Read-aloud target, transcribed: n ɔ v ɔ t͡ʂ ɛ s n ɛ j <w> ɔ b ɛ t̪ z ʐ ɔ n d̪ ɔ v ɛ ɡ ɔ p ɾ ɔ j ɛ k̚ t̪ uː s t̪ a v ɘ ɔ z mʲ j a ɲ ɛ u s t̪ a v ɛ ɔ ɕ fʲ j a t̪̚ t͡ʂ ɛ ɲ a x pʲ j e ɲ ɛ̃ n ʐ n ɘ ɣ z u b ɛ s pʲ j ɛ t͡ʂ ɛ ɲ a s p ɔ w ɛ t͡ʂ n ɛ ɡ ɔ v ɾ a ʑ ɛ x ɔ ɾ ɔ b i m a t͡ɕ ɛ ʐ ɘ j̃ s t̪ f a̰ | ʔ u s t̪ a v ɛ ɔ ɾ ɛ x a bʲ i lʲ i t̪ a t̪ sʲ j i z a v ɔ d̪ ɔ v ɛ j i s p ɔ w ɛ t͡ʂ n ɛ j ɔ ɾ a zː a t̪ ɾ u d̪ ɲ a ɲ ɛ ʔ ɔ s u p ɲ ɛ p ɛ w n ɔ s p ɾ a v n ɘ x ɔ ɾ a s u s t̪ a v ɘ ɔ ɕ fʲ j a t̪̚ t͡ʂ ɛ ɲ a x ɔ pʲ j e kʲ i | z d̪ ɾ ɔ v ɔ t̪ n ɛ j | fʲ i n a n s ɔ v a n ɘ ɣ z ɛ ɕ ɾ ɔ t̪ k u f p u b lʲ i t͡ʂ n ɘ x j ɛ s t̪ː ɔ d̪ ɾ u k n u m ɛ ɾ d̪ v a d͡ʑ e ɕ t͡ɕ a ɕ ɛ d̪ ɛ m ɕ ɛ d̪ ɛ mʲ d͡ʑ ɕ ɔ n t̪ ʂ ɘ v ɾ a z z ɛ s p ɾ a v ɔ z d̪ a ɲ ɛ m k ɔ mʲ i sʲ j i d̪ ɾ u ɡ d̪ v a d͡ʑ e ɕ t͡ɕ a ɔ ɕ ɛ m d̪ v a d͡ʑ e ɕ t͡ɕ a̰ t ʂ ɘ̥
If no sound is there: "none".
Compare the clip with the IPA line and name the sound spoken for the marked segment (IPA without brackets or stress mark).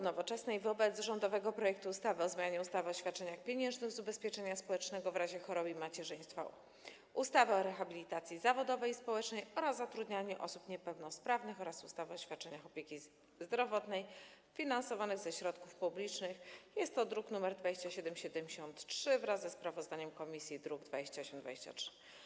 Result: v